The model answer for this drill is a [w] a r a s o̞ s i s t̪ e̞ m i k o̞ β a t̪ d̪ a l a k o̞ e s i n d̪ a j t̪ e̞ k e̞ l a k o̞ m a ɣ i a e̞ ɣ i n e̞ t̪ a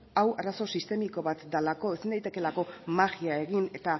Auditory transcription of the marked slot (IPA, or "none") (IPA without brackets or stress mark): w